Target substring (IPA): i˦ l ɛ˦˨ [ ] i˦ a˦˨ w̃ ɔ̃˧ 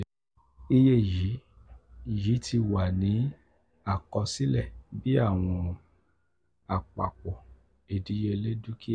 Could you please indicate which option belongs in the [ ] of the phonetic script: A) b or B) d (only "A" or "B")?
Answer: A